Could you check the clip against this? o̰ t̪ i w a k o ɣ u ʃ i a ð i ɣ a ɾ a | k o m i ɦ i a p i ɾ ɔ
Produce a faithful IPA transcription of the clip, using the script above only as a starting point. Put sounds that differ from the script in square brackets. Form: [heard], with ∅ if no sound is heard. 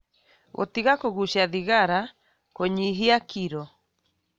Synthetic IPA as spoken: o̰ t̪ i [ɣ] a k o ɣ u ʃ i a ð i ɣ a ɾ a | k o [ɲ] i ɦ i a [k] i ɾ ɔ